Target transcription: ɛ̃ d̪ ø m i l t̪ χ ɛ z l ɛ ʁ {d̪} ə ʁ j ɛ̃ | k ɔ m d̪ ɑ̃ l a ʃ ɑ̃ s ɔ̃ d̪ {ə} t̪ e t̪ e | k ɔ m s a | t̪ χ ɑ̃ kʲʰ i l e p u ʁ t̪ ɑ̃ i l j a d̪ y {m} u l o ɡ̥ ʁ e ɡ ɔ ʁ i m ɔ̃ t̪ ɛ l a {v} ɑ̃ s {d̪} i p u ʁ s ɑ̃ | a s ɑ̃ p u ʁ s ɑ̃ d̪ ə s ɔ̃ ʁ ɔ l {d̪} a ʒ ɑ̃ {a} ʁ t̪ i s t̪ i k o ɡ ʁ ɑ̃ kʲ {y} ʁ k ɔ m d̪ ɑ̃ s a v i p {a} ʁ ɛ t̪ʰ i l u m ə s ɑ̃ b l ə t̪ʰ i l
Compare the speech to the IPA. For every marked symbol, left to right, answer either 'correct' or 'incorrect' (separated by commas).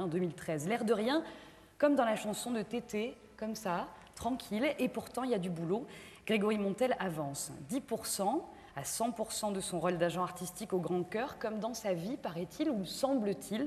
correct, correct, incorrect, correct, correct, correct, correct, incorrect, correct